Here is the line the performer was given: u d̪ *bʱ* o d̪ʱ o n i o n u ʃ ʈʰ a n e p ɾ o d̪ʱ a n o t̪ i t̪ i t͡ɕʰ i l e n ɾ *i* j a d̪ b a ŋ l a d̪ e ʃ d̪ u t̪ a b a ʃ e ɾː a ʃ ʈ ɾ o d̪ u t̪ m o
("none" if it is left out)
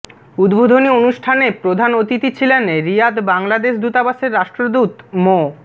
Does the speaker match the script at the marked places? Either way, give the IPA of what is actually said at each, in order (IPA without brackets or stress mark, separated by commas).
bʱ, i